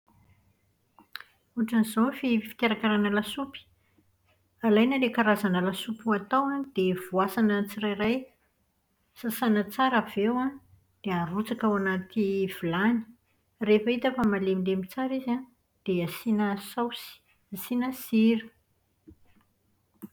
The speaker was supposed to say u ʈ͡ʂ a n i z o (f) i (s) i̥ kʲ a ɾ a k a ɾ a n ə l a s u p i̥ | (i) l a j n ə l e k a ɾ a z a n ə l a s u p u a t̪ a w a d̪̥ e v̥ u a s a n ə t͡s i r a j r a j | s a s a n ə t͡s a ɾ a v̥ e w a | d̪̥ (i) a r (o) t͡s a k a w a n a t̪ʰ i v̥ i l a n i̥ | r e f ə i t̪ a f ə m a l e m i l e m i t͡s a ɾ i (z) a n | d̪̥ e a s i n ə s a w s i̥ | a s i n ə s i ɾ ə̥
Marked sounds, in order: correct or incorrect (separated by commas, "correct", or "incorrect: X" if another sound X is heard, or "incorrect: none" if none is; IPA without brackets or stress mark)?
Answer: correct, incorrect: f, incorrect: a, incorrect: e, incorrect: u, correct